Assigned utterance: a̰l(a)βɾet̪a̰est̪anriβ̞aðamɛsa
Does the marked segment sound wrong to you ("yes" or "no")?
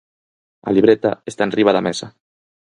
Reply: yes